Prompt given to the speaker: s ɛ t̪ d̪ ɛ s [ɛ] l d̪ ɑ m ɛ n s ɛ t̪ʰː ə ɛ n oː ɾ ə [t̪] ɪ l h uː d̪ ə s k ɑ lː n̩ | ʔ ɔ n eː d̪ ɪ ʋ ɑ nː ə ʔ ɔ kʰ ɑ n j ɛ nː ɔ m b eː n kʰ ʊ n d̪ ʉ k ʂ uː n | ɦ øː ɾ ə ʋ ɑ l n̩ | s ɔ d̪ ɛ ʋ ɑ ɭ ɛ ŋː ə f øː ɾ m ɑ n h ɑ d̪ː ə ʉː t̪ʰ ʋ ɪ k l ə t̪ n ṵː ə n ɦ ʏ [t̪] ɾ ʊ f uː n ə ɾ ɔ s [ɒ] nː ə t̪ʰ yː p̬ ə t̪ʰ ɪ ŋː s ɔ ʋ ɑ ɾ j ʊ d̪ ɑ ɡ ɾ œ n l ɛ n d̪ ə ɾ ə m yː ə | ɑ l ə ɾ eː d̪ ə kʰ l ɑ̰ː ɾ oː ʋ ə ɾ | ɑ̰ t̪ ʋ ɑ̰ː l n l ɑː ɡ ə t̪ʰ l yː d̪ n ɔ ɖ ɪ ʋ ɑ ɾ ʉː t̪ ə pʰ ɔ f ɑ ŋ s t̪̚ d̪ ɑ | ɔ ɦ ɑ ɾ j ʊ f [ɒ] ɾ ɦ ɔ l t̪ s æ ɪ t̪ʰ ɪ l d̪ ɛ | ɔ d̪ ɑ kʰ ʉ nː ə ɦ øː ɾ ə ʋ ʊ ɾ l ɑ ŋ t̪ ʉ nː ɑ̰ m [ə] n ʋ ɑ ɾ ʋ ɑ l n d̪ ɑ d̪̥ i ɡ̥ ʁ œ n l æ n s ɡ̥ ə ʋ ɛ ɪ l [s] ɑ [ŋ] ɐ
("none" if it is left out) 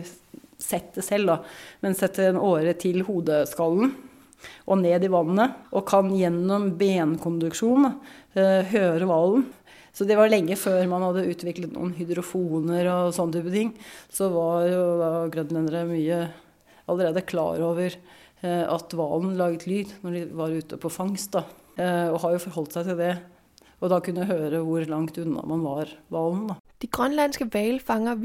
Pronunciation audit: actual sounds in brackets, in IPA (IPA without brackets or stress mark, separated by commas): ɛ, t̪ʰ, d̪, ɔ, ɔ, ɑ, f, ŋ